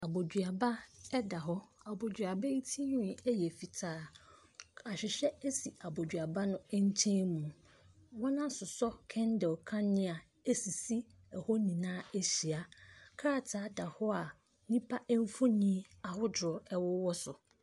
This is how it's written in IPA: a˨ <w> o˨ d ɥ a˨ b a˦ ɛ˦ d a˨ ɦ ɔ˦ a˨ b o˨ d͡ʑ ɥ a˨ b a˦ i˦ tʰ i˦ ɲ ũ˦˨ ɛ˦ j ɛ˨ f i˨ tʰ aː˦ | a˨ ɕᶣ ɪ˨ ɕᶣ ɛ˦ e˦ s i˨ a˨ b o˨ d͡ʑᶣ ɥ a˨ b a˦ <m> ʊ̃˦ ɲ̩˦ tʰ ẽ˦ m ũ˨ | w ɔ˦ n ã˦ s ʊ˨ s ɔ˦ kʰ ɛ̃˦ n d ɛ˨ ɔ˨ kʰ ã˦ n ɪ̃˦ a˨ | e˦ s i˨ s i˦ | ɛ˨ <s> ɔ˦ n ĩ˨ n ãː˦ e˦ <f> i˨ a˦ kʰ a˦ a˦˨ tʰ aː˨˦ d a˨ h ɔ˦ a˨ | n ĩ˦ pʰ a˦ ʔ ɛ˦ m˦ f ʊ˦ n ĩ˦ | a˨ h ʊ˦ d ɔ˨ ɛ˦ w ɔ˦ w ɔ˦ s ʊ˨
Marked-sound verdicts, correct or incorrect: incorrect: b, incorrect: n, incorrect: h, incorrect: ɕ

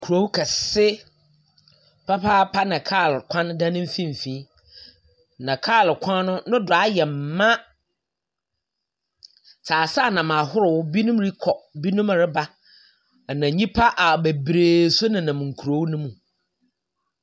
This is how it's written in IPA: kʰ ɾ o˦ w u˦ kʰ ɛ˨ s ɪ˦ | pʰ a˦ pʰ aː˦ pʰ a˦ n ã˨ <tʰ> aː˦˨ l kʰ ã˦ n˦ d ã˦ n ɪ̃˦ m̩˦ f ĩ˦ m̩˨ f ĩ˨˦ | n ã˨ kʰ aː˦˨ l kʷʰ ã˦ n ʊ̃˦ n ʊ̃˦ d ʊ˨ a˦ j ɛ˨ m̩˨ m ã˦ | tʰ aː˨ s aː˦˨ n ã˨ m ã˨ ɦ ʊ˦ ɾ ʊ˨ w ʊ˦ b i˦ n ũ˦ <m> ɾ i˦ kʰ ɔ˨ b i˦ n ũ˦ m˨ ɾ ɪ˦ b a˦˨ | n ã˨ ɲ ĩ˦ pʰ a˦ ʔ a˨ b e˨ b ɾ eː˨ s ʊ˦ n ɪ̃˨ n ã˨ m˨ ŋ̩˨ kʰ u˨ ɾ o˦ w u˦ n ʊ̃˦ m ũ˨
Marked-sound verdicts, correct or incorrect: incorrect: kʰ, correct

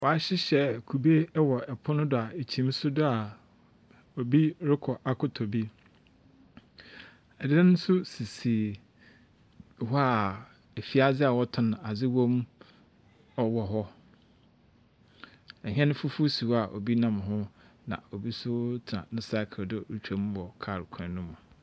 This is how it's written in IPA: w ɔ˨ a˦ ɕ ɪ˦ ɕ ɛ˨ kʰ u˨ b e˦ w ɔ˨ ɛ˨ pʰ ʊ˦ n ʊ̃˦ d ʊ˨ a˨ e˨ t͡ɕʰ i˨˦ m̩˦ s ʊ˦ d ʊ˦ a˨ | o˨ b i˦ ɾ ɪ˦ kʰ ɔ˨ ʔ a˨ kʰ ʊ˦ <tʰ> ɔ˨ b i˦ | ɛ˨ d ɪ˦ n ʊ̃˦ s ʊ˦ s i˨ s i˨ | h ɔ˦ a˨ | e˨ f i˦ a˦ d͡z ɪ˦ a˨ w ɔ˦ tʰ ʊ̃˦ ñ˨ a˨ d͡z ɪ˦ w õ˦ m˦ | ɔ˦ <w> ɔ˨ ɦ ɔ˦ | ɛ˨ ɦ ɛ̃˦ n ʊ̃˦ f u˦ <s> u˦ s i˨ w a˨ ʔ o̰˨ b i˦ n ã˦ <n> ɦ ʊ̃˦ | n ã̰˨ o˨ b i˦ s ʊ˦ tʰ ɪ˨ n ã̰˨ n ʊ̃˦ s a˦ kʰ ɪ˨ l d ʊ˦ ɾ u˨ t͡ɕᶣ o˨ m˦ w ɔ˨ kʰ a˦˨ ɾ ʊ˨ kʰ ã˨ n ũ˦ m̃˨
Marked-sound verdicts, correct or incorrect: correct, correct, incorrect: f, incorrect: m

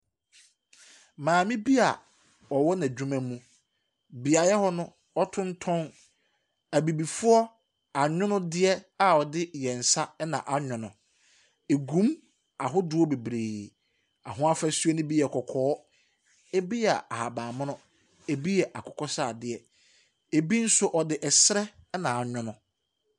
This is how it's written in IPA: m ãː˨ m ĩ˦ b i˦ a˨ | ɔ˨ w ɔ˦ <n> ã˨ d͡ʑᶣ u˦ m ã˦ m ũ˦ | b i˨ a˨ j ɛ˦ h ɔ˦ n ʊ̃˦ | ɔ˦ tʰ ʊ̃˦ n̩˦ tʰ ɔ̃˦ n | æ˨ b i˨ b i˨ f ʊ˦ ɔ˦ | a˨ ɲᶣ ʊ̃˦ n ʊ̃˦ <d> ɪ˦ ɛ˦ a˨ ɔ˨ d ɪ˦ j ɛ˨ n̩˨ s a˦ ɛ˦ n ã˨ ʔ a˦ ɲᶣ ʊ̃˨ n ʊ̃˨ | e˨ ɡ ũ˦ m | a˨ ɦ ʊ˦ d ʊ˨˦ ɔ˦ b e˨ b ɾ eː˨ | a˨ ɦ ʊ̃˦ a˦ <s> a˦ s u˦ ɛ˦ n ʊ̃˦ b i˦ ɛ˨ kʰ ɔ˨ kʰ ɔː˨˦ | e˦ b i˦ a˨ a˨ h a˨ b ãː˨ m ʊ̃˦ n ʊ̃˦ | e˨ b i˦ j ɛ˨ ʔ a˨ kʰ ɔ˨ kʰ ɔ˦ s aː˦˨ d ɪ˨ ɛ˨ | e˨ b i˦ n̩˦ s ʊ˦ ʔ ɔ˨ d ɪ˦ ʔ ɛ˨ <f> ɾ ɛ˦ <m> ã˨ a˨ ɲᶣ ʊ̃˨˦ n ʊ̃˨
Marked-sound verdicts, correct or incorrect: correct, correct, incorrect: f, incorrect: s, incorrect: n

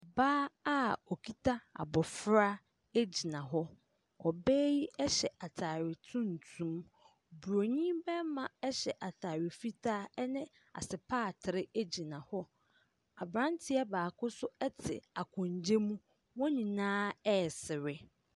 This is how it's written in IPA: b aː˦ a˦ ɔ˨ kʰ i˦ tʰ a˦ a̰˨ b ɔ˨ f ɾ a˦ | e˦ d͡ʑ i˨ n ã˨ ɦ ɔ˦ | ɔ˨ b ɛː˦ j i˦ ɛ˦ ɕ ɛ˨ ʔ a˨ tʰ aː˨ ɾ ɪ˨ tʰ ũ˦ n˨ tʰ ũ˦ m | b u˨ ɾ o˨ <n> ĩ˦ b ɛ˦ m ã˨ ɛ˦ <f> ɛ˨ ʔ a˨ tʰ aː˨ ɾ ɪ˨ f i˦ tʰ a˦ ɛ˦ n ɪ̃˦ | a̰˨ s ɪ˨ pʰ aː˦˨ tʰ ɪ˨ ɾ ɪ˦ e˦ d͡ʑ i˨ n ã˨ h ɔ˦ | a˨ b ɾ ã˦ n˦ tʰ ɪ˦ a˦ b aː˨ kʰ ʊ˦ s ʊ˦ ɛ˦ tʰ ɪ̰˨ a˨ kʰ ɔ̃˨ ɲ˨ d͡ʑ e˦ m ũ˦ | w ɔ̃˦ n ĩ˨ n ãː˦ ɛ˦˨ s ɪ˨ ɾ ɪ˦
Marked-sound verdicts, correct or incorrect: incorrect: ɲ, incorrect: ɕ

